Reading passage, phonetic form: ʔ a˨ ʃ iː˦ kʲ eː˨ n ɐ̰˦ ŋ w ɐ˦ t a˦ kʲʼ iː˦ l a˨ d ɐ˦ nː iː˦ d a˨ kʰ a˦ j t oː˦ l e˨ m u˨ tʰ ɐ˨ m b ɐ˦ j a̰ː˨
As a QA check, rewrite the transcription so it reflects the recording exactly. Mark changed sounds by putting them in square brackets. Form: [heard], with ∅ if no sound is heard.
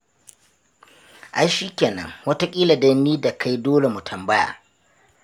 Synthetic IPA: ʔ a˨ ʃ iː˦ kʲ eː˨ n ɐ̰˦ ŋ w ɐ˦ t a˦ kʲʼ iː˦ l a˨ d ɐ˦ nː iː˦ d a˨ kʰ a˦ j [d] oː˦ l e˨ m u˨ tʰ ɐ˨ m b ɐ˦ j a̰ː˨